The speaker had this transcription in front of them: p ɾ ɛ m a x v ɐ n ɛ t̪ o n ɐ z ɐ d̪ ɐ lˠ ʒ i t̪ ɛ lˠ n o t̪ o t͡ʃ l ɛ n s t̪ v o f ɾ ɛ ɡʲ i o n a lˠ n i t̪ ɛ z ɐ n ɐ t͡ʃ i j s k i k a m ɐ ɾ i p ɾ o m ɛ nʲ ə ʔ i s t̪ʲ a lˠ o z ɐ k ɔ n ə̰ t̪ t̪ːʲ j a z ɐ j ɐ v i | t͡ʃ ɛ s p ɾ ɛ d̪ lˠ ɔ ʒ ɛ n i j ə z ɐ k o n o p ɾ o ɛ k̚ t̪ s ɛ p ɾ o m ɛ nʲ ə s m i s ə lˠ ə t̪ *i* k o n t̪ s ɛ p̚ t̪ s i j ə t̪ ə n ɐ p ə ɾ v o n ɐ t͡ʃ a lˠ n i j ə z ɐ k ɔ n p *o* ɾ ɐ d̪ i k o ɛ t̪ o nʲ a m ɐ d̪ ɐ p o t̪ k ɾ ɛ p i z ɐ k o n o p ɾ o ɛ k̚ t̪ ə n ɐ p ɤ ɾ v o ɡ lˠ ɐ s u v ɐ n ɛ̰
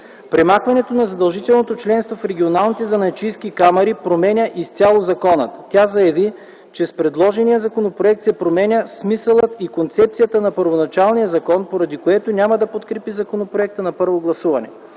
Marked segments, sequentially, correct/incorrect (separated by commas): correct, correct